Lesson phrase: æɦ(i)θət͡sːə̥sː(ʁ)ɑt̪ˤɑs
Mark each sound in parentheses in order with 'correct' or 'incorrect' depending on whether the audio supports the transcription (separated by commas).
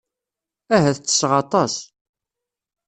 incorrect, correct